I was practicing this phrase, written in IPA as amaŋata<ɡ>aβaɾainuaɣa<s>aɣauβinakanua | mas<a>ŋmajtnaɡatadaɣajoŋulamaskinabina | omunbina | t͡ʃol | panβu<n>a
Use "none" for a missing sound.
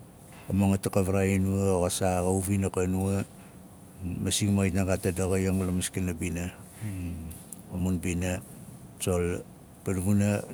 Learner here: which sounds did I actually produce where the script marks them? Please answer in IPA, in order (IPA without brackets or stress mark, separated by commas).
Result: k, s, i, n